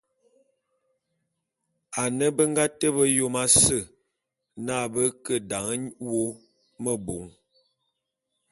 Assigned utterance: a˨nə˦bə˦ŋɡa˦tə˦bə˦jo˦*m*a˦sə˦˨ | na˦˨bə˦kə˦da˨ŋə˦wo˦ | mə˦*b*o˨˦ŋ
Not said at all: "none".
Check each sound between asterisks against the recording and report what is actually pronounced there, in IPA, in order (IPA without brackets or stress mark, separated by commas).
m, b